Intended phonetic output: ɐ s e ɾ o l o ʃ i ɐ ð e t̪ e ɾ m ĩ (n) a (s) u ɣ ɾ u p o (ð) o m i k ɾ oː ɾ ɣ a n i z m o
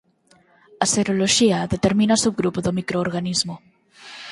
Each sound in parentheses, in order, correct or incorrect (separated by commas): correct, correct, correct